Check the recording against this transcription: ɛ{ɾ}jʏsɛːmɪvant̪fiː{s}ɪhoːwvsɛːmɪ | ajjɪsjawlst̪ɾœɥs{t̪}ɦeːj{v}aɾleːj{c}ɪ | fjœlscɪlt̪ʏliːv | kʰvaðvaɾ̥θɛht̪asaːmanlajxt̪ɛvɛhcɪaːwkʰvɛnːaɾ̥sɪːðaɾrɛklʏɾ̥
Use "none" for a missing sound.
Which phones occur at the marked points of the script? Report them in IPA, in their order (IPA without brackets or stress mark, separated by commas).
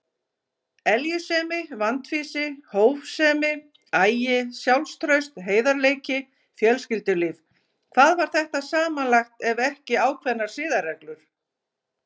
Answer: l, s, t̪, ð, c